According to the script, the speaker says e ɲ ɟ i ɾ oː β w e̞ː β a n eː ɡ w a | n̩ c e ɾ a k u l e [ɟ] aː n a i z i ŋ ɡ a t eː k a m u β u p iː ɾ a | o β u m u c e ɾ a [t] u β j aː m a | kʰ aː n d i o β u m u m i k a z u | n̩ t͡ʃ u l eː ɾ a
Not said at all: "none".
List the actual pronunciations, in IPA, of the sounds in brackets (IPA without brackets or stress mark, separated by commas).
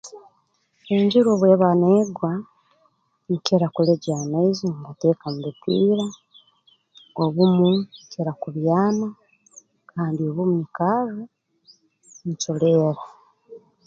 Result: ɟ, k